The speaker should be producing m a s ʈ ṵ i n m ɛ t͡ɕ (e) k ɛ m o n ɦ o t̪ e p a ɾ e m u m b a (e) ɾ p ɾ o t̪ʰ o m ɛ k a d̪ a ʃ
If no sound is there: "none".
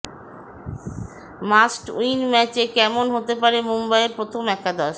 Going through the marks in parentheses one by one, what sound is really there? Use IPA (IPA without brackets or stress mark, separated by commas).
e, e